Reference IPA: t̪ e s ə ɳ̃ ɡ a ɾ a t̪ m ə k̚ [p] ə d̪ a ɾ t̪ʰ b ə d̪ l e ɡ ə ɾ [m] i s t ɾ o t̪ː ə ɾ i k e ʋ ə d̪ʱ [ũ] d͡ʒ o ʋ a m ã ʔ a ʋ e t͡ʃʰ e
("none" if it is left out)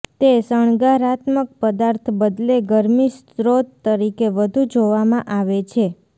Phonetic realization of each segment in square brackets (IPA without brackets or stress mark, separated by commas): p, m, u